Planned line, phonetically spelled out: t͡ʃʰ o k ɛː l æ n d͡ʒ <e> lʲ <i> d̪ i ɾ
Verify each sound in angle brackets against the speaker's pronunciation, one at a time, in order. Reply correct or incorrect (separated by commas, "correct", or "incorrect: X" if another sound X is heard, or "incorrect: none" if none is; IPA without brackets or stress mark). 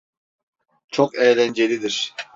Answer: correct, correct